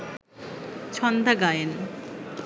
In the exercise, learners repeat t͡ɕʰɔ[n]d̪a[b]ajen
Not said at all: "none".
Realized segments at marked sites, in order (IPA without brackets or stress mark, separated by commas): n, ɡ